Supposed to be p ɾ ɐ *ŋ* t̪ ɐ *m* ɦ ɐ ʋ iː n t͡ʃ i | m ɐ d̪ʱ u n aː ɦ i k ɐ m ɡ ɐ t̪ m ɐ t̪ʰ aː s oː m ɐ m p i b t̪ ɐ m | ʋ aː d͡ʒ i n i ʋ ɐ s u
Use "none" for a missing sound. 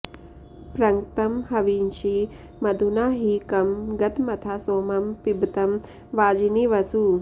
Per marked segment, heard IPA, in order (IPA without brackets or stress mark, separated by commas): ŋ, m